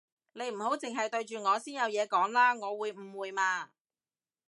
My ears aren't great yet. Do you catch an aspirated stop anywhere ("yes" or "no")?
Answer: no